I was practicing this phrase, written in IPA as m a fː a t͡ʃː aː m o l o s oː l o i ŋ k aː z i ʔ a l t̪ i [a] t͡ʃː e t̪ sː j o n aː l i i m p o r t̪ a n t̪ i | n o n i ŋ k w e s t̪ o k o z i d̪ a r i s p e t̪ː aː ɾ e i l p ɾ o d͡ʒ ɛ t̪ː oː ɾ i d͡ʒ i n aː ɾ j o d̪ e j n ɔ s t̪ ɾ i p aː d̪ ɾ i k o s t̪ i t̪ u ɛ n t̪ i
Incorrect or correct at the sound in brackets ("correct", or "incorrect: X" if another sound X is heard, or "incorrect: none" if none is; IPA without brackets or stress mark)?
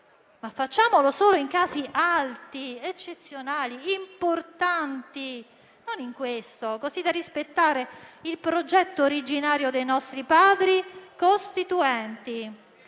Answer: incorrect: e